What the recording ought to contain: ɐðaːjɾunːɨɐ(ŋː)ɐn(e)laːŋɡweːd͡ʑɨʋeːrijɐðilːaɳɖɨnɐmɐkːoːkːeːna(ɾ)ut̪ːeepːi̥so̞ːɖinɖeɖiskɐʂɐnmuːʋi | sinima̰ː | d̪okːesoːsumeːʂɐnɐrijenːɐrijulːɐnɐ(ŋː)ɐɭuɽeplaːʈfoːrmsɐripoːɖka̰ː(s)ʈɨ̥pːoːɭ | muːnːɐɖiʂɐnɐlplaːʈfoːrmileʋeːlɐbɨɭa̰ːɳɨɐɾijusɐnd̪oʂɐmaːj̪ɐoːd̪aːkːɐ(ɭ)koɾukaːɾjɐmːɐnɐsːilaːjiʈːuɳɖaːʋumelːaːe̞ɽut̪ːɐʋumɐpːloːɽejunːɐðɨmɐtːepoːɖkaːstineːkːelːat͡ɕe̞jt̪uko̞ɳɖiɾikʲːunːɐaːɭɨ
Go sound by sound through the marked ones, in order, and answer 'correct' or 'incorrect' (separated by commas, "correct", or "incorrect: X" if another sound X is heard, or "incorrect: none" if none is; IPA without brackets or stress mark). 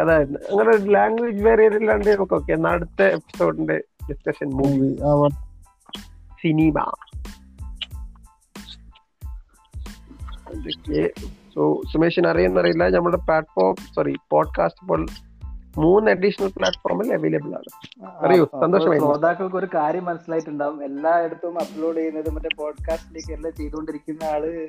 correct, correct, incorrect: ɽ, incorrect: mː, correct, correct